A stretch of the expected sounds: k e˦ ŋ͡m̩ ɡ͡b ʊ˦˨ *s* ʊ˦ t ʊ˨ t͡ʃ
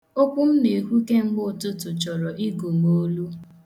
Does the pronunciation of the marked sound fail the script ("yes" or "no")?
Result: yes